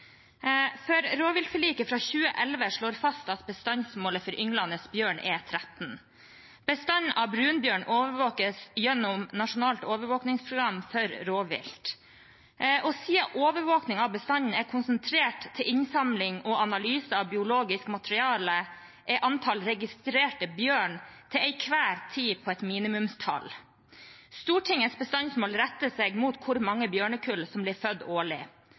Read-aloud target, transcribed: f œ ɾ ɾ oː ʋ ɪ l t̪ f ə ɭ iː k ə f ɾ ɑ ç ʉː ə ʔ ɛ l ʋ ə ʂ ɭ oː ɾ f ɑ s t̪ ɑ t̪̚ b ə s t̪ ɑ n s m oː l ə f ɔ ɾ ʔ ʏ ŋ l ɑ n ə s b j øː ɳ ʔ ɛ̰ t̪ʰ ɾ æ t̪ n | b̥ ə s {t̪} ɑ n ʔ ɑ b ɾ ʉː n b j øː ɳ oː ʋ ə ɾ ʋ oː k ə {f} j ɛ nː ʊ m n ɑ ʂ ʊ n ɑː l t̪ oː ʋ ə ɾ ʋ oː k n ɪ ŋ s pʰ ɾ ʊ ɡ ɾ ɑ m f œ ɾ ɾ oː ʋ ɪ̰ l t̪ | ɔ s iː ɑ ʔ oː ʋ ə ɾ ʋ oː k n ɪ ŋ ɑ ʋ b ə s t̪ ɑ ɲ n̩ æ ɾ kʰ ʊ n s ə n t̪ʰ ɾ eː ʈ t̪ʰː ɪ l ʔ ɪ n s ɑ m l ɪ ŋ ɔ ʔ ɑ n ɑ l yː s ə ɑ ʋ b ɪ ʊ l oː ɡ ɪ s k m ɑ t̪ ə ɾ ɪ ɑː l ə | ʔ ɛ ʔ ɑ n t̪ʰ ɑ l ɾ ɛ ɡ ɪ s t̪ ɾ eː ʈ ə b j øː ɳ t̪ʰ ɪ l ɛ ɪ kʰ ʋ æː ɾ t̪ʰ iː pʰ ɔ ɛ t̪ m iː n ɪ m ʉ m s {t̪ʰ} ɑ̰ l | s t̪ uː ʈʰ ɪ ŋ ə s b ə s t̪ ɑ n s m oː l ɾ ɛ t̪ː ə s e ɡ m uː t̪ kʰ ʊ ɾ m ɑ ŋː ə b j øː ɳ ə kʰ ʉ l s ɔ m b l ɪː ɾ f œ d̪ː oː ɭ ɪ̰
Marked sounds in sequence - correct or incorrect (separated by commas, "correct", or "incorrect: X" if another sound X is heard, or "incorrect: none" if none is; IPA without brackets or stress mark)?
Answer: correct, incorrect: s, correct